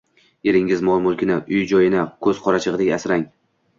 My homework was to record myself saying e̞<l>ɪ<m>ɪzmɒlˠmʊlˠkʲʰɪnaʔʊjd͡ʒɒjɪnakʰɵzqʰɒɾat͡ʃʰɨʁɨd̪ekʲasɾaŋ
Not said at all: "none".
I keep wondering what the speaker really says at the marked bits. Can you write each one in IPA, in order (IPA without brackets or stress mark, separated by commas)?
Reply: ɾ, ŋ